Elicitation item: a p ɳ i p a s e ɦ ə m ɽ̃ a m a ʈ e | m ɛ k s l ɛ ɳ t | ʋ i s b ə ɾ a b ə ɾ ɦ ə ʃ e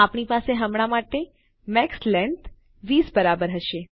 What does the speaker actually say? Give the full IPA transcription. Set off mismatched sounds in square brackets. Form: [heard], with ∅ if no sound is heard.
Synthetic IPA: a p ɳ i p a s e ɦ ə m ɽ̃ a m a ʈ e | m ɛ k s l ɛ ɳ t | ʋ i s b ə ɾ a b ə ɾ ɦ ə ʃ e